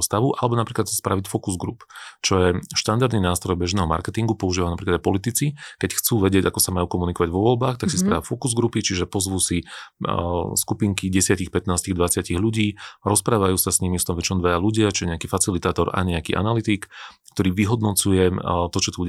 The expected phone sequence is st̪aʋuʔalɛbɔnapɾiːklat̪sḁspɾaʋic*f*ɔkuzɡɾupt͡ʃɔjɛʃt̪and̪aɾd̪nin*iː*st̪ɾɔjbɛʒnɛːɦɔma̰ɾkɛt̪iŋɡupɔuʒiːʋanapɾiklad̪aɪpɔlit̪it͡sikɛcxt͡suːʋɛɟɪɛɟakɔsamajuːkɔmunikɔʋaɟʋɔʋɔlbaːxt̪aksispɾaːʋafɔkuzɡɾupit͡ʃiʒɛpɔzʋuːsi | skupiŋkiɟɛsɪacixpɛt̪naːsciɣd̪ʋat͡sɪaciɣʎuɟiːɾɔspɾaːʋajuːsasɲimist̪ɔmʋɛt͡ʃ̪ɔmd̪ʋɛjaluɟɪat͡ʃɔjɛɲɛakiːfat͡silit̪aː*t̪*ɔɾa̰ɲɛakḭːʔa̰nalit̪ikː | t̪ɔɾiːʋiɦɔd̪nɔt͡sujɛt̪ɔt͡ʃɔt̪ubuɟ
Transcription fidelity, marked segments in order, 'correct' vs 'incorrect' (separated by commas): correct, incorrect, correct